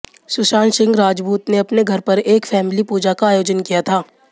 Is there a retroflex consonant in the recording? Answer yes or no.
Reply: no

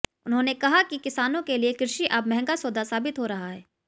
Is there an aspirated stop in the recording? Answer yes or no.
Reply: no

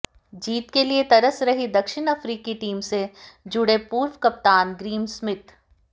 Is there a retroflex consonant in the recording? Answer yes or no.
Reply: yes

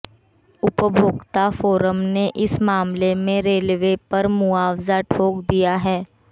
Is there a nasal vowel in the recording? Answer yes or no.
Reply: yes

